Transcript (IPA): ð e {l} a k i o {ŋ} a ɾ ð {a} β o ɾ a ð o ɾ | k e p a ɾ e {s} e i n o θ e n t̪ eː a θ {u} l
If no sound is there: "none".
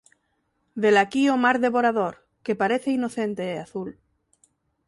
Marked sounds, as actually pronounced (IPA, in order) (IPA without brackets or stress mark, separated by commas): l, m, e, θ, u